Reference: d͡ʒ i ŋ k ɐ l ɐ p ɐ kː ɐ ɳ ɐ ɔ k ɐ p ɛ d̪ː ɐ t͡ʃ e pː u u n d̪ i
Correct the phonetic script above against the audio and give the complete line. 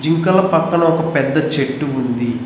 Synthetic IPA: d͡ʒ i ŋ k ɐ l ɐ p ɐ kː ɐ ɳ ɐ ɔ k ɐ p ɛ d̪ː ɐ t͡ʃ e ʈː u u n d̪ i